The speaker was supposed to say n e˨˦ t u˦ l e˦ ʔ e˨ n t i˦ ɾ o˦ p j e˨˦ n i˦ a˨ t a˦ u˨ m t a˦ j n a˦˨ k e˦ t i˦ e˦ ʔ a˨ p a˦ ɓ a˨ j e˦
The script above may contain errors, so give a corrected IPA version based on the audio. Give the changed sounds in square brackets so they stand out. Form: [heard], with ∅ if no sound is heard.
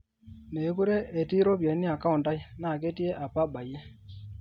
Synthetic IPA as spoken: n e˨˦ [k] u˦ [ɾ] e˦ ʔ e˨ [∅] t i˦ ɾ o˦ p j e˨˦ n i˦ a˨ [k] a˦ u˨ [n] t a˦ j n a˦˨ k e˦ t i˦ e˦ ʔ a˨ p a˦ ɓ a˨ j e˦